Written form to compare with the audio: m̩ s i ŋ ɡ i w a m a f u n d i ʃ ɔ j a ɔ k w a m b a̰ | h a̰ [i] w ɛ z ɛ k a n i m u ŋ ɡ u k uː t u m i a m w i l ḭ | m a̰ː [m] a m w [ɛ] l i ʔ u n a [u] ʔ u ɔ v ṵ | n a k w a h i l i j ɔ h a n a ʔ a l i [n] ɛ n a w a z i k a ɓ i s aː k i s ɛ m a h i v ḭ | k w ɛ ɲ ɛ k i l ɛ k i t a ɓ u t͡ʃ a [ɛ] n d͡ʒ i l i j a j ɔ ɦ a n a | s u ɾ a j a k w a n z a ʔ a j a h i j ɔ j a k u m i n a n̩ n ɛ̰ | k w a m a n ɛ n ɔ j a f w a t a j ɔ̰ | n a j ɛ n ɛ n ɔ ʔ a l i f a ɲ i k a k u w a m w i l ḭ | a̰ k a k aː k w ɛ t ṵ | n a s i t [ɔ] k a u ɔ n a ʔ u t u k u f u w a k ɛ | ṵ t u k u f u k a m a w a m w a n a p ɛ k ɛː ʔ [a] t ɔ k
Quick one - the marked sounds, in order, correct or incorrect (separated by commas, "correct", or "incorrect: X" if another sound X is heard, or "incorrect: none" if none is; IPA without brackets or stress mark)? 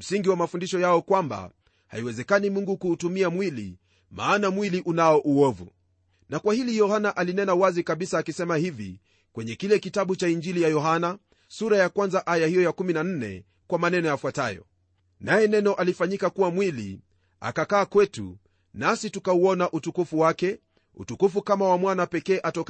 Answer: correct, incorrect: n, incorrect: i, incorrect: ɔ, correct, incorrect: i, incorrect: u, correct